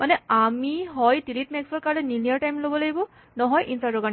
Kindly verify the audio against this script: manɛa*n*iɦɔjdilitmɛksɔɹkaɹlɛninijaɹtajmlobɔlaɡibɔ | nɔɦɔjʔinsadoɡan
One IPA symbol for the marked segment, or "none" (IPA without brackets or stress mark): m